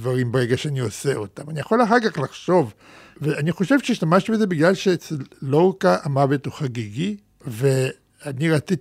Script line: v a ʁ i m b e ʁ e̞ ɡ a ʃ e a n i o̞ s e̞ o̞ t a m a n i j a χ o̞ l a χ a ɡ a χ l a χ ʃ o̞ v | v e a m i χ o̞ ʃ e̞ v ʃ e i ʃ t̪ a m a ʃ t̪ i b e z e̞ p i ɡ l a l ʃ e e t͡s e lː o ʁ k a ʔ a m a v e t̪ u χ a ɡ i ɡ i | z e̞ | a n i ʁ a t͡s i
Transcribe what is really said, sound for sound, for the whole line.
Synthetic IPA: v a ʁ i m b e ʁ e̞ ɡ a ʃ e a n i o̞ s e̞ o̞ t a m a n i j a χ o̞ l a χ a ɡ a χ l a χ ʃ o̞ v | v e a n i χ o̞ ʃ e̞ v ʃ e i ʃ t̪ a m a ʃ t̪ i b e z e̞ b i ɡ l a l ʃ e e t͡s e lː o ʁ k a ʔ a m a v e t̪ u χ a ɡ i ɡ i | v e̞ | a n i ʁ a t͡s i